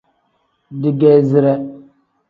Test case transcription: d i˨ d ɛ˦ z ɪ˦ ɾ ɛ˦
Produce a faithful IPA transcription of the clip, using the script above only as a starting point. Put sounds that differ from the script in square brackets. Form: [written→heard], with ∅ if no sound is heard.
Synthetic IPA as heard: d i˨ [d→ɡ] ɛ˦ z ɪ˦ ɾ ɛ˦